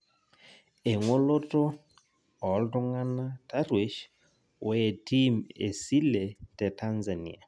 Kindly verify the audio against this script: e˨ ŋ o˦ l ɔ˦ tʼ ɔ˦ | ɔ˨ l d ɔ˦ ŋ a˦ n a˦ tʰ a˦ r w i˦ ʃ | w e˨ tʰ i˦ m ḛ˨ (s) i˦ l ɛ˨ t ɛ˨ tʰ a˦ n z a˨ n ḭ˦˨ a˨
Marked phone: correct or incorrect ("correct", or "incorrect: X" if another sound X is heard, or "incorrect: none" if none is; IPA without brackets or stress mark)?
correct